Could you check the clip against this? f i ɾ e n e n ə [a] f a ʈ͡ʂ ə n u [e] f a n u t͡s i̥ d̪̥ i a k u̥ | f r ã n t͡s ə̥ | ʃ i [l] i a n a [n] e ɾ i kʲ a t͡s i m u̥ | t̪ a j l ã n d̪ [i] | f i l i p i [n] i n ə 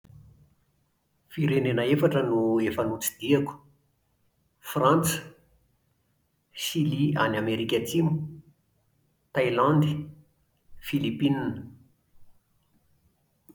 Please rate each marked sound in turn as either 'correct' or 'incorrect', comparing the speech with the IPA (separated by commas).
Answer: incorrect, correct, correct, incorrect, correct, correct